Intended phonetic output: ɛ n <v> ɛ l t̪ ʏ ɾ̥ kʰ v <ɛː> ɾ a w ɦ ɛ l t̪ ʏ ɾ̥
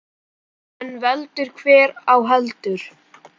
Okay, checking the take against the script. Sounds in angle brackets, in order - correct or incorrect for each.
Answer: correct, correct

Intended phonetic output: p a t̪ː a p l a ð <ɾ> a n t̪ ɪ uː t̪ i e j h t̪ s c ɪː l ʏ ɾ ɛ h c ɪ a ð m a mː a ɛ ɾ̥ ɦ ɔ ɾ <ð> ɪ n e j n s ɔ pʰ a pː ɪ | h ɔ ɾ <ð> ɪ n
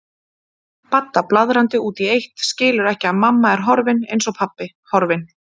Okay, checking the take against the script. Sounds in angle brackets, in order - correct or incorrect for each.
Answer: correct, incorrect: v, incorrect: v

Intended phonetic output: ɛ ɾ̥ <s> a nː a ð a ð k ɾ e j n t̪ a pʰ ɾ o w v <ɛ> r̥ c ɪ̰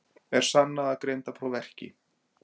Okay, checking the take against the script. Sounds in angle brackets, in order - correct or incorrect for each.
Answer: correct, correct

